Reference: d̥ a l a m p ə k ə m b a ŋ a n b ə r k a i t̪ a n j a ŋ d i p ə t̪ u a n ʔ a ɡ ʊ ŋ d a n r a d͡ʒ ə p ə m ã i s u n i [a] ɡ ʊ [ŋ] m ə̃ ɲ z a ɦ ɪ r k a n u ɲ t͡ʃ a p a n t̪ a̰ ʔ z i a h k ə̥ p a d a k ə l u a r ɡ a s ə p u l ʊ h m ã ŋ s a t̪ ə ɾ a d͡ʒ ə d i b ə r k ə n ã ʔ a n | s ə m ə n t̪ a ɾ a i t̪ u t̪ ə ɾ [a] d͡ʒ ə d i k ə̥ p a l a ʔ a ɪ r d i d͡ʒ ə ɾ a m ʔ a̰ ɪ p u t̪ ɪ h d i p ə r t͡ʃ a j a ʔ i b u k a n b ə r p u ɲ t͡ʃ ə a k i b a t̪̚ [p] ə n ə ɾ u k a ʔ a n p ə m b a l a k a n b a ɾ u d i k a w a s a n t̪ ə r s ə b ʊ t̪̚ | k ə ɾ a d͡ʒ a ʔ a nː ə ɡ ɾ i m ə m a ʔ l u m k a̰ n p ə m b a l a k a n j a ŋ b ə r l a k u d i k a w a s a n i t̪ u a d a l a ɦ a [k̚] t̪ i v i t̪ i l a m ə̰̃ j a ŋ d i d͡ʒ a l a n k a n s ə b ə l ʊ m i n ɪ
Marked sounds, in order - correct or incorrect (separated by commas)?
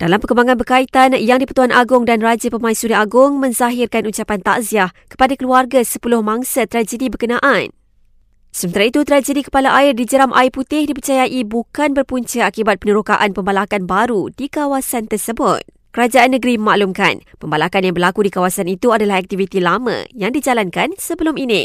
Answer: correct, correct, correct, correct, correct